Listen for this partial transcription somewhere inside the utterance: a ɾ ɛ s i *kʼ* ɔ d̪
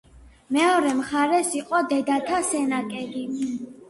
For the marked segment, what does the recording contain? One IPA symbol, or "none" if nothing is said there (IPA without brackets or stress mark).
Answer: qʼ